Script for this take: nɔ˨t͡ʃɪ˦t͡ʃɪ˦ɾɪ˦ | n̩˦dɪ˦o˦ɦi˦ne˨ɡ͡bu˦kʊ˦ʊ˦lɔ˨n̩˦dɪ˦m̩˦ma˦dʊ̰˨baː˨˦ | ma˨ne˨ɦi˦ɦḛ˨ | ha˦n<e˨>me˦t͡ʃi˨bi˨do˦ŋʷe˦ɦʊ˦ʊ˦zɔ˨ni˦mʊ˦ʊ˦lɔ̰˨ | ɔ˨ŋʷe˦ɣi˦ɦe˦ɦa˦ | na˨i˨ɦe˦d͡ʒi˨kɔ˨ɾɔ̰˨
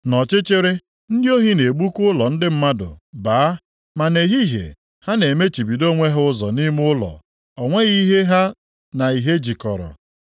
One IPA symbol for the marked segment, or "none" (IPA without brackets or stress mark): e˨